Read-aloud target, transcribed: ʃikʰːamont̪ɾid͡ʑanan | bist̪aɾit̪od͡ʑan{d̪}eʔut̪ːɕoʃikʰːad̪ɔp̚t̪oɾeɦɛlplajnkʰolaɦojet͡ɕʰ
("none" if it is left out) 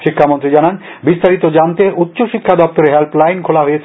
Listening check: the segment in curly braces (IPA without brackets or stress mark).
t̪